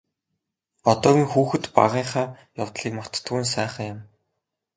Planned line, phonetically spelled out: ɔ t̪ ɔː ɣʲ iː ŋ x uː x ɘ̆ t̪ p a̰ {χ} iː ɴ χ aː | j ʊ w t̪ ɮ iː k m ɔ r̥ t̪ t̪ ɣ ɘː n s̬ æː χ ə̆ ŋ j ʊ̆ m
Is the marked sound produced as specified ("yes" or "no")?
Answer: no